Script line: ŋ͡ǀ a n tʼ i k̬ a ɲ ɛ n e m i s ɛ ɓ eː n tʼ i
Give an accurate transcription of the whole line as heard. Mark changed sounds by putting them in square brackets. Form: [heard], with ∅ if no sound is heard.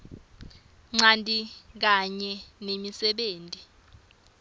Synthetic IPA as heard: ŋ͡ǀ a n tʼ i k̬ a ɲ ɛ n e m i s ɛ ɓ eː n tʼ i